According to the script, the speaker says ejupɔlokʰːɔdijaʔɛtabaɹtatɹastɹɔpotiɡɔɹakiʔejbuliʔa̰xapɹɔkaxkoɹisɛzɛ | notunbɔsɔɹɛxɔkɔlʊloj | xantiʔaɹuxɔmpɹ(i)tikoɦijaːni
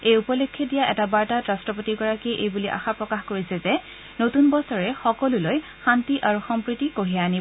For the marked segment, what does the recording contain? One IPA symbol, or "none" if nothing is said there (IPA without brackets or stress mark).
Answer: i